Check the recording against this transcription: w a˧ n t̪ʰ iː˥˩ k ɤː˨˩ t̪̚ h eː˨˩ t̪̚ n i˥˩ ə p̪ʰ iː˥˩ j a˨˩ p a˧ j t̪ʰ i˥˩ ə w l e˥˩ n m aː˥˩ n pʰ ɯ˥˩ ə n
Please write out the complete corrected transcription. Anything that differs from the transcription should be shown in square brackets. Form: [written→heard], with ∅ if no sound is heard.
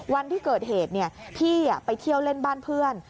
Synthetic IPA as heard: w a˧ n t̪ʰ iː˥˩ k ɤː˨˩ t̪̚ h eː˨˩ t̪̚ n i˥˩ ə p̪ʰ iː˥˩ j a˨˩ p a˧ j t̪ʰ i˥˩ ə w l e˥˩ n [m→b] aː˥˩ n pʰ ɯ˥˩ ə n